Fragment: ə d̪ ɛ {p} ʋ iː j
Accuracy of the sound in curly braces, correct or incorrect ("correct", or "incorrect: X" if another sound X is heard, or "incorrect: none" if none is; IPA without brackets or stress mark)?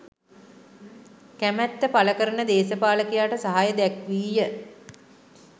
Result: incorrect: k